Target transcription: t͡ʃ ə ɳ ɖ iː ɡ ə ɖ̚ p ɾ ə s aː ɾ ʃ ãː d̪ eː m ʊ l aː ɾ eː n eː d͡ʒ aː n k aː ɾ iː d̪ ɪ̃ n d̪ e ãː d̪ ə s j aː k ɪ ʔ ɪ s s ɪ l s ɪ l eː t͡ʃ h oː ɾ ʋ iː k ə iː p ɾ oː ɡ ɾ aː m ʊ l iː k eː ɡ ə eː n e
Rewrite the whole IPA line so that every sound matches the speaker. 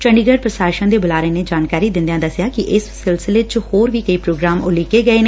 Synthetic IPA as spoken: t͡ʃ ə ɳ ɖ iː ɡ ə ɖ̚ p ɾ ə s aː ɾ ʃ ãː d̪ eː b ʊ l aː ɾ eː n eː d͡ʒ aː n k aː ɾ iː d̪ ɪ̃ n d̪ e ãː d̪ ə s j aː k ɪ ʔ ɪ s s ɪ l s ɪ l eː t͡ʃ h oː ɾ ʋ iː k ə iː p ɾ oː ɡ ɾ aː m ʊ l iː k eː ɡ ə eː n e